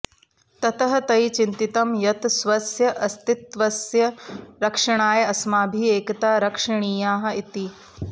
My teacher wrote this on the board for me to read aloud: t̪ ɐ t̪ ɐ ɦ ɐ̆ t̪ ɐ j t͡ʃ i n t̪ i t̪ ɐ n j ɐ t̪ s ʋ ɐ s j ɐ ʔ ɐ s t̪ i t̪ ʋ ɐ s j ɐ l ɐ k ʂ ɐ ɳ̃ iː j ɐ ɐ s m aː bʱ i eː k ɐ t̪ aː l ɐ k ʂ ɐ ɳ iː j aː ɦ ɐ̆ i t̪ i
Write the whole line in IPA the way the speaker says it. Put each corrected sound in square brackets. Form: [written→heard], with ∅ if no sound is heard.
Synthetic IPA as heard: t̪ ɐ t̪ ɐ ɦ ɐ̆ t̪ ɐ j t͡ʃ i n t̪ i t̪ ɐ [n→m] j ɐ t̪ s ʋ ɐ s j ɐ ʔ ɐ s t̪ i t̪ ʋ ɐ s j ɐ [l→ɾ] ɐ k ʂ ɐ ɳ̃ [iː→aː] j ɐ ɐ s m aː bʱ i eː k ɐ t̪ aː [l→ɾ] ɐ k ʂ ɐ ɳ iː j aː ɦ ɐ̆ i t̪ i